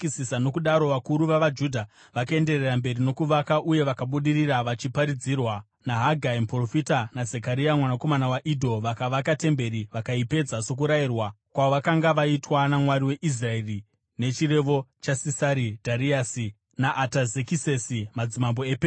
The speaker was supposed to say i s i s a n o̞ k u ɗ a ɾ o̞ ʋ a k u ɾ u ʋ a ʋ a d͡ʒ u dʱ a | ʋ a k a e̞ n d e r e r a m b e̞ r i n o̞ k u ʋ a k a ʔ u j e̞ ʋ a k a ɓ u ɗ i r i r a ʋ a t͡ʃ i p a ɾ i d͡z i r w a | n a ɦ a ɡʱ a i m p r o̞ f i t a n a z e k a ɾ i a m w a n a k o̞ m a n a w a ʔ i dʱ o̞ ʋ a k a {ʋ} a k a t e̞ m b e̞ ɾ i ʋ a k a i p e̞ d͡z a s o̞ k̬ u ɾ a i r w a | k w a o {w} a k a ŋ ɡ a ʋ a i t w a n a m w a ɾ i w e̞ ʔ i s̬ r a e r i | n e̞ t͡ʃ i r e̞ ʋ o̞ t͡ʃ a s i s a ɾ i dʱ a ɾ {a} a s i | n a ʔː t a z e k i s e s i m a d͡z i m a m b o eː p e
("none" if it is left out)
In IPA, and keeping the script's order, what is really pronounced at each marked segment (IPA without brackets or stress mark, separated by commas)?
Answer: ʋ, ʋ, i